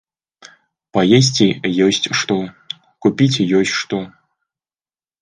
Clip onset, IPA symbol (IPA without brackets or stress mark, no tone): p